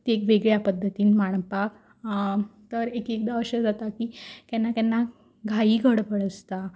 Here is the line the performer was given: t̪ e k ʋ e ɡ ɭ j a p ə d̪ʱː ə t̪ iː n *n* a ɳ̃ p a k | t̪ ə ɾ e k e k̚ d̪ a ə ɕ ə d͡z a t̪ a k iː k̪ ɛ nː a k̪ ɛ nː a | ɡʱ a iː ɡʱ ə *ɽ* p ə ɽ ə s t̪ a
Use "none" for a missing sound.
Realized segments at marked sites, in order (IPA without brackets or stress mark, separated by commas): m, ɽ